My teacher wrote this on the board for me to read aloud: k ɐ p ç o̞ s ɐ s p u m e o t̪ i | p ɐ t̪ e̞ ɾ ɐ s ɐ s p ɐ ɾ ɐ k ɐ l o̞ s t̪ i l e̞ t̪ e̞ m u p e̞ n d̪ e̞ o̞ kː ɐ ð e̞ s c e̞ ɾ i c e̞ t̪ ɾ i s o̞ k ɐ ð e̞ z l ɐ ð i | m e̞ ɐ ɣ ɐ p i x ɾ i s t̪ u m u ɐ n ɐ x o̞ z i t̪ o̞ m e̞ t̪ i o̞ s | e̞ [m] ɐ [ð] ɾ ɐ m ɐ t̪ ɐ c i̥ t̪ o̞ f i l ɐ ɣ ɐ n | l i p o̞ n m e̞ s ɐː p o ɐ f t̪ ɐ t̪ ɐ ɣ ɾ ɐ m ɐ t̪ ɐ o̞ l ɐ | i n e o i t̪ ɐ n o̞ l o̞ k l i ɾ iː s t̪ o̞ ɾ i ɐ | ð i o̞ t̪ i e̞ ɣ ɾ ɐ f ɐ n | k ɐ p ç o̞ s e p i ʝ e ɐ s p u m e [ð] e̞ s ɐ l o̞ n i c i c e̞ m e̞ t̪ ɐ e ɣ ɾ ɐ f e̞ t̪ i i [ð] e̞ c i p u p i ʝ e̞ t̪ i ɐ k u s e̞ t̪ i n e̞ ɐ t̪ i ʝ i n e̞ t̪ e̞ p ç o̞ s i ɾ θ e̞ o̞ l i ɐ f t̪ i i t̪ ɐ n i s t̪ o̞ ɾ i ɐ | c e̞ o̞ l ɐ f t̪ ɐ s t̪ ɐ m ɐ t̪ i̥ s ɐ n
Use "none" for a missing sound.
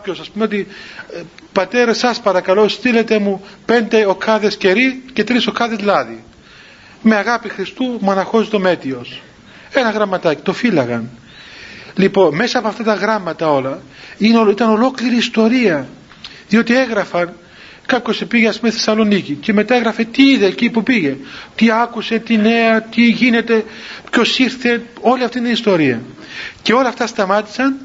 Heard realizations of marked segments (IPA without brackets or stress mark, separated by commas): n, ɣ, θ, ð